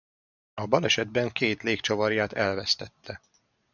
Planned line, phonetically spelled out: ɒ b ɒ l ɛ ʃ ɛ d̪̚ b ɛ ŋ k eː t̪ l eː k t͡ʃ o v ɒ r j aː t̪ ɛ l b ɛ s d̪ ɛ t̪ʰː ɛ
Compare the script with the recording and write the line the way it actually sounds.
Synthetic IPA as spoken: ɒ b ɒ l ɛ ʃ ɛ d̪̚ b ɛ ŋ k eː t̪ l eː k t͡ʃ o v ɒ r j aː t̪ ɛ l v ɛ s t̪ ɛ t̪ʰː ɛ

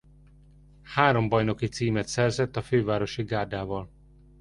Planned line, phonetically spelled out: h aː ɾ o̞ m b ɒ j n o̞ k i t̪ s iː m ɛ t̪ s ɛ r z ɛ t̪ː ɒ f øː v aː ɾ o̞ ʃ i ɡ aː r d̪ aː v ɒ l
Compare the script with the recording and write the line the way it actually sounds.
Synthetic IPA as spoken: h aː ɾ o̞ m b ɒ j n o̞ k i t̪ s iː m ɛ t̪ s ɛ r z ɛ t̪ː ɒ f øː v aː ɾ o̞ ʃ i ɡ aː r d̪ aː v ɒ l

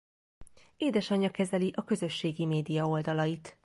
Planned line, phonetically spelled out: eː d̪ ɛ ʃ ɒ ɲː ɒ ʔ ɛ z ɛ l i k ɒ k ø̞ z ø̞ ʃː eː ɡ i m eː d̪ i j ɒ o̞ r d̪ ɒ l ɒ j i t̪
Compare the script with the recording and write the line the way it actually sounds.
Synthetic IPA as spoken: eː d̪ ɛ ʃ ɒ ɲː ɒ k ɛ z ɛ l i ʔ ɒ k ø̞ z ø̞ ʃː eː ɡ i m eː d̪ i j ɒ o̞ l d̪ ɒ l ɒ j i t̪

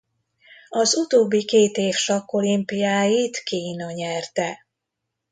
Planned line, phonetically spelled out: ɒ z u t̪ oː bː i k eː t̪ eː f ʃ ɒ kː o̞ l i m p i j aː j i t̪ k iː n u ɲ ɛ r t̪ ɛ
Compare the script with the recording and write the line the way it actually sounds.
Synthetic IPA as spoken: ɒ z u t̪ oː bː i k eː t̪ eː f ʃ ɒ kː o̞ l i m p i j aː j i t̪ k iː n ɒ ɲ ɛ r t̪ ɛ

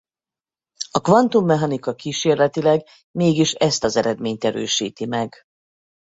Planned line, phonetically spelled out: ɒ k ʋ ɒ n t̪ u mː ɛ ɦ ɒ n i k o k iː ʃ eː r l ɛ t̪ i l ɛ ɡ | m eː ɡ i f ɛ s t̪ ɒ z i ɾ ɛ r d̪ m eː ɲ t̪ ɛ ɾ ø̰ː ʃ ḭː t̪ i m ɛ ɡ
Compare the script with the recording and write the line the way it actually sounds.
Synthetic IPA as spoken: ɒ k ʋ ɒ n t̪ u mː ɛ ɦ ɒ n i k ɒ k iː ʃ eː r l ɛ t̪ i l ɛ ɡ | m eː ɡ i ʃ ɛ s t̪ ɒ z ɛ ɾ ɛ d̪ m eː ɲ t̪ ɛ ɾ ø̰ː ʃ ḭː t̪ i m ɛ ɡ

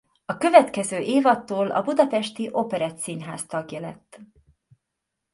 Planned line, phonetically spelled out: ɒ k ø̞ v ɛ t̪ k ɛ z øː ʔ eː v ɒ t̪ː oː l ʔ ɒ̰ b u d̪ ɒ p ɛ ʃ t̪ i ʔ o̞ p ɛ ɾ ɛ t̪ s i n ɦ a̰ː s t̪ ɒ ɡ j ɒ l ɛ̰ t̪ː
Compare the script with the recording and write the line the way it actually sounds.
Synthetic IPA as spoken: ɒ k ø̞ v ɛ t̪ k ɛ z øː ʔ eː v ɒ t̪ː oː l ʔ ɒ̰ b u d̪ ɒ p ɛ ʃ t̪ i ʔ o̞ p ɛ ɾ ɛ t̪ s i n ɦ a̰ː s t̪ ɒ ɡ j ɒ l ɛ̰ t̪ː

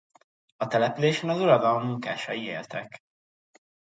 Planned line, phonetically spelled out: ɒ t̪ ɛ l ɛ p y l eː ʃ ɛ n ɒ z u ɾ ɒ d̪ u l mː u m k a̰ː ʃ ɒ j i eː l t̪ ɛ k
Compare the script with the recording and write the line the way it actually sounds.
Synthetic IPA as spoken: ɒ t̪ ɛ l ɛ p y l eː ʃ ɛ n ɒ z u ɾ ɒ d̪ ɒ l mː u ŋ k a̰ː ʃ ɒ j i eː l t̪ ɛ k

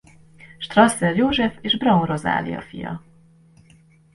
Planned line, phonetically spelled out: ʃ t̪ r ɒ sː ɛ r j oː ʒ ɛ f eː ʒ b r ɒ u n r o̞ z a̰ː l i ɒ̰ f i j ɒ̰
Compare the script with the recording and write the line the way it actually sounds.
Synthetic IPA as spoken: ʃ t̪ r ɒ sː ɛ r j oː ʒ ɛ f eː ʒ b r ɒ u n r o̞ z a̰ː l i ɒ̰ f i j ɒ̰

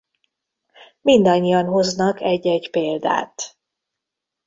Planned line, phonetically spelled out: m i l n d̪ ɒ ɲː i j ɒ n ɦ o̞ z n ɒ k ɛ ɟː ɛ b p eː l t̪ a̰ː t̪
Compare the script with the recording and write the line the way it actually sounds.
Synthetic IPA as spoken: m i n d̪ ɒ ɲː i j ɒ n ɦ o̞ z n ɒ k ɛ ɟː ɛ ɟ p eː l d̪ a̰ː t̪

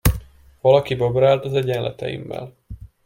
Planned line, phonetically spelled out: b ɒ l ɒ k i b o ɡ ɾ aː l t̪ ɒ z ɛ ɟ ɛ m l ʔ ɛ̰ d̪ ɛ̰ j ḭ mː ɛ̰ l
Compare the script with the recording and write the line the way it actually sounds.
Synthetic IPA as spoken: v ɒ l ɒ k i b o b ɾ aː l t̪ ɒ z ɛ ɟ ɛ n l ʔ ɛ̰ t̪ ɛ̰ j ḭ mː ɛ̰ l

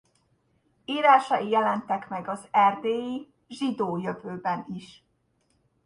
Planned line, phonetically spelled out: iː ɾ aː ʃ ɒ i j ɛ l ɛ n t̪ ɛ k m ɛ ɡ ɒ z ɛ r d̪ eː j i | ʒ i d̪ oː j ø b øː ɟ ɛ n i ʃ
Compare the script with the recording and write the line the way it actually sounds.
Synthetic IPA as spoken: iː ɾ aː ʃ ɒ i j ɛ l ɛ n t̪ ɛ k m ɛ ɡ ɒ z ɛ r d̪ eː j i | ʒ i d̪ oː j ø v øː b ɛ n i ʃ

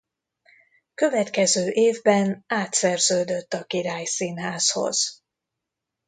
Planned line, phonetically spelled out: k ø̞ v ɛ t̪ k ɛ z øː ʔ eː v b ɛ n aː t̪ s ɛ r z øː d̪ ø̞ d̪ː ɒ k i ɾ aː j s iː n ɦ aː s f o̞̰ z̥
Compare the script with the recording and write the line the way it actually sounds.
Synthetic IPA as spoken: k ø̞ v ɛ t̪ k ɛ z øː ʔ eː v b ɛ n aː t̪ s ɛ r z øː d̪ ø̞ t̪ː ɒ k i ɾ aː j s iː n ɦ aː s h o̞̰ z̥

